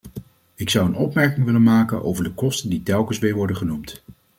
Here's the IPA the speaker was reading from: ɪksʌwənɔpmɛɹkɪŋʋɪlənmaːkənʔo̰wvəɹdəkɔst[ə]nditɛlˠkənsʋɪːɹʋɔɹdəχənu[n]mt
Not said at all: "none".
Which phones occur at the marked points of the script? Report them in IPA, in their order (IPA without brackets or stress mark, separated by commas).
ə, none